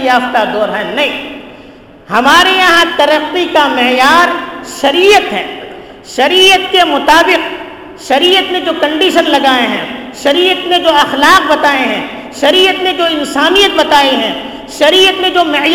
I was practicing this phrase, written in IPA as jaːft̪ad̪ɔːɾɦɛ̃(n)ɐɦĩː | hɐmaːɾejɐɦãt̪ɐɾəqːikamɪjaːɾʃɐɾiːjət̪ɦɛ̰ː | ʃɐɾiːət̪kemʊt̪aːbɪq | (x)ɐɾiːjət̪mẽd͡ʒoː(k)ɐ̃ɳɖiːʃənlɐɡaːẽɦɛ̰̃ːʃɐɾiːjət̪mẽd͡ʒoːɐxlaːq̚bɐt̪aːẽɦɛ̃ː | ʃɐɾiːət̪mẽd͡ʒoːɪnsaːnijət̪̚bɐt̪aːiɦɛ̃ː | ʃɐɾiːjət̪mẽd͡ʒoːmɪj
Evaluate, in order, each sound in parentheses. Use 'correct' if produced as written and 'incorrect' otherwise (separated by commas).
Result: correct, incorrect, correct